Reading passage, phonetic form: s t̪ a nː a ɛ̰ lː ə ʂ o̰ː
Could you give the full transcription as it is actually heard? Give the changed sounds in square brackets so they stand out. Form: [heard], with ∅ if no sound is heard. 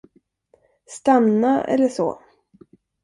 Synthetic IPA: s t̪ a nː a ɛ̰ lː ə ʂ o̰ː